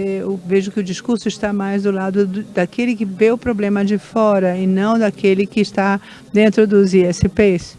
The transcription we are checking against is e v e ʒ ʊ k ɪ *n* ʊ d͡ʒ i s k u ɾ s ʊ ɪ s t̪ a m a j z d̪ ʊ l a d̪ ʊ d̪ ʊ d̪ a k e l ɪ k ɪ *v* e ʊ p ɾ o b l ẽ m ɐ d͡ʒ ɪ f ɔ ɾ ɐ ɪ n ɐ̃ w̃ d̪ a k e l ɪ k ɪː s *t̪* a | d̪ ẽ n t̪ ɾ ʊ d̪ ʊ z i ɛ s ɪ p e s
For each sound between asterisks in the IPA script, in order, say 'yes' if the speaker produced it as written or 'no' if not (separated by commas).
no, yes, yes